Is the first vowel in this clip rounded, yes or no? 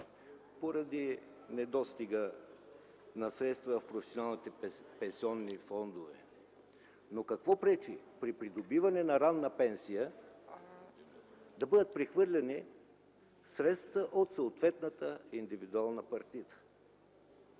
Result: yes